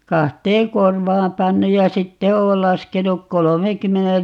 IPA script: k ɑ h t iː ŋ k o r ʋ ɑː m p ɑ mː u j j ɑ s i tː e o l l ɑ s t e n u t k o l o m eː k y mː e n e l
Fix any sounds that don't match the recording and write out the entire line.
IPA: k ɑ h t eː ŋ k o r ʋ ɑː m p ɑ nː u j j ɑ s i tː e oː l l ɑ s k e n u k k o l o m eː k y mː e n e l